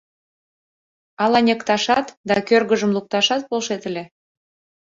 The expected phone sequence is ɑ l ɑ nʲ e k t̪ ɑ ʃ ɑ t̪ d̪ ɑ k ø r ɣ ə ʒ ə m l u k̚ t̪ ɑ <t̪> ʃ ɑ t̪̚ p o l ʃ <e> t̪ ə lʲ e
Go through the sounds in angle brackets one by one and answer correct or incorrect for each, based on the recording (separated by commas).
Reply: incorrect, correct